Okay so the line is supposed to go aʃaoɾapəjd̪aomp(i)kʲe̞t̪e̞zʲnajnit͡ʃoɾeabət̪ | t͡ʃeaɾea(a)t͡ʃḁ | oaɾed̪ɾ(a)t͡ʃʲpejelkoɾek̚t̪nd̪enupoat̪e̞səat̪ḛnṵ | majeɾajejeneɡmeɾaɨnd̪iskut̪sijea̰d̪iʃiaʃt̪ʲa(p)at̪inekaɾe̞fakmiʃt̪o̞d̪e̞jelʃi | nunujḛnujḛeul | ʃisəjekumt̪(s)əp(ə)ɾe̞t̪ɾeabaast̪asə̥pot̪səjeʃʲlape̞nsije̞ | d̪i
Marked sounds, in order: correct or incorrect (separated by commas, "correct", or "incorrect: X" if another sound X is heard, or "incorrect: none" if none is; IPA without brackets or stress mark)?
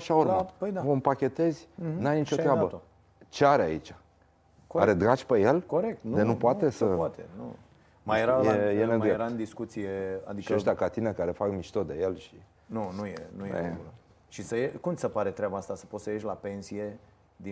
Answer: incorrect: a, incorrect: i, correct, incorrect: k, correct, incorrect: a